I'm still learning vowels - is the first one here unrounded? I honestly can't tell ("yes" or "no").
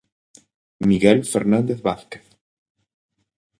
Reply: yes